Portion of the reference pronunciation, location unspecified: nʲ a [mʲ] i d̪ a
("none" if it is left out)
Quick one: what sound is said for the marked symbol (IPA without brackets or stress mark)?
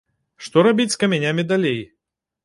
mʲ